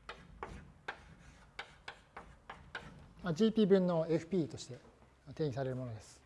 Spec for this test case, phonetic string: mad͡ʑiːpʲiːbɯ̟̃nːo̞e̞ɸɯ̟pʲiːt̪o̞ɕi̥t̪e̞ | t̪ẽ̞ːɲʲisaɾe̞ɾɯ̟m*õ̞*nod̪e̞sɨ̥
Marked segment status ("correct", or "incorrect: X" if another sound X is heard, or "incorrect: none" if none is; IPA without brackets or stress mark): incorrect: o̞